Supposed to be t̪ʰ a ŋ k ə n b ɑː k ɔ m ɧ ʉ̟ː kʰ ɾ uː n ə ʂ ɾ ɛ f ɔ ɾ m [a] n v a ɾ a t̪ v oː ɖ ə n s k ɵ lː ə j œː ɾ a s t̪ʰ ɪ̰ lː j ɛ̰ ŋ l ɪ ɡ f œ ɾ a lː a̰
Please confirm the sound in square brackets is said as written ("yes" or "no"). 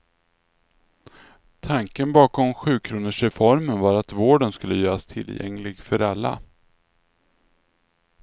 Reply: no